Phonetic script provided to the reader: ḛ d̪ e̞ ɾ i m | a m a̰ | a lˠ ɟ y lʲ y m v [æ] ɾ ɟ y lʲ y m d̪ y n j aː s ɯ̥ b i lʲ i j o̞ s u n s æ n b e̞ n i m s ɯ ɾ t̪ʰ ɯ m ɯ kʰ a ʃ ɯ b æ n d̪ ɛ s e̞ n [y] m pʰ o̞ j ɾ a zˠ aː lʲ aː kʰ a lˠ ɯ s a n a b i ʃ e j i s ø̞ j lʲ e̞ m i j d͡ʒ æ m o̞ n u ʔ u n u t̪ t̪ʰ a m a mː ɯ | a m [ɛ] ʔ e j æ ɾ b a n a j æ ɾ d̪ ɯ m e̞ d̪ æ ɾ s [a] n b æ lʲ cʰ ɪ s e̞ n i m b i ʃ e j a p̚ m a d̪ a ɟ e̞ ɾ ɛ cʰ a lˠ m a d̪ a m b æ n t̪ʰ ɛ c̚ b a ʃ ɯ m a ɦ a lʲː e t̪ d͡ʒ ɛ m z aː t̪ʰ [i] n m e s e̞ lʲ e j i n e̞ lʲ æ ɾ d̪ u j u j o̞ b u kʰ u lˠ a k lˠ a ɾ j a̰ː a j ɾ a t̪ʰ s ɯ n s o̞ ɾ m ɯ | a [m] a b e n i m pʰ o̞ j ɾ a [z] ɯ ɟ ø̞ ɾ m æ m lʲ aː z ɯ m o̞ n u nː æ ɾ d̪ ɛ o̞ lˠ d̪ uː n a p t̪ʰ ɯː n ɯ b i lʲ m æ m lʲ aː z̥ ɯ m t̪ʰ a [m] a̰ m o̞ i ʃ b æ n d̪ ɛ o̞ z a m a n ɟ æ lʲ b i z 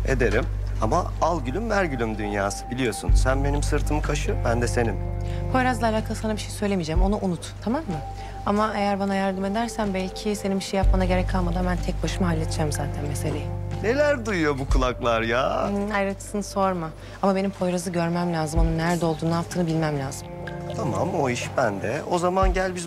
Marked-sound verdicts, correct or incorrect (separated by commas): correct, incorrect, incorrect, incorrect, incorrect, correct, correct, correct